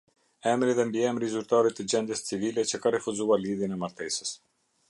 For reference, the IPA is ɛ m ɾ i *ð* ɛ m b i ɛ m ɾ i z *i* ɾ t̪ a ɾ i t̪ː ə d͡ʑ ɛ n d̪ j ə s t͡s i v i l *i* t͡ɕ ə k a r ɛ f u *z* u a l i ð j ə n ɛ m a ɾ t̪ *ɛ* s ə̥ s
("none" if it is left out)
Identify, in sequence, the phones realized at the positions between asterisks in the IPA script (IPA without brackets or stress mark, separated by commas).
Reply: ð, y, ɛ, z, ɛ